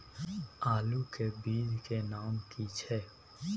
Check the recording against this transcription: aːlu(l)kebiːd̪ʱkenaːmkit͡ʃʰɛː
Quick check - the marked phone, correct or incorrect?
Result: incorrect